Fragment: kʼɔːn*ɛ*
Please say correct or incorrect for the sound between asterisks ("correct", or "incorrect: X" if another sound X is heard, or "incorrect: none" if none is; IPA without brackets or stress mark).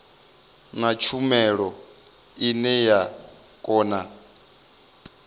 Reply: incorrect: a